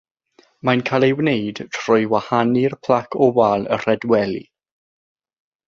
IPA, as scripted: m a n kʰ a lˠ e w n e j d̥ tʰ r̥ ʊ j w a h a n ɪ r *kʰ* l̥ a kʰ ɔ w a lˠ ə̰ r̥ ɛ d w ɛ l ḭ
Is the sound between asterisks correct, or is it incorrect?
incorrect